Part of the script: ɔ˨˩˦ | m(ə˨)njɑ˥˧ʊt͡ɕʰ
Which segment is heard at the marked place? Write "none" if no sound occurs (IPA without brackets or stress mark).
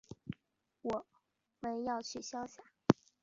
ə˧˥